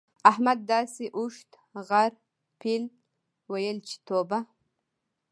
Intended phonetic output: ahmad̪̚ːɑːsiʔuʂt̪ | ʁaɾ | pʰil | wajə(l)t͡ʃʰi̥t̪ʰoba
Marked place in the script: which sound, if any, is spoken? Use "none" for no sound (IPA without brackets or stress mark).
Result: l